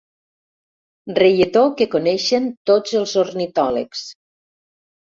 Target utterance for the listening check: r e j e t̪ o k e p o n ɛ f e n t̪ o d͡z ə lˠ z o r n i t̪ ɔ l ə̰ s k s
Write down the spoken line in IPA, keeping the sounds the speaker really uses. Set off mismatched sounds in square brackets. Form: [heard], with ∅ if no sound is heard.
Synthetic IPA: r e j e t̪ o k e [k] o n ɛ [ʃ] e n t̪ o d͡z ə lˠ z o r n i t̪ ɔ l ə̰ [∅] k s